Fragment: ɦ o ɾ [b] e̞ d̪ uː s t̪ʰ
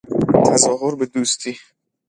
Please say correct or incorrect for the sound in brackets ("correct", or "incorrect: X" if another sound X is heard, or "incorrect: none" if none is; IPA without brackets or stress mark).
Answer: correct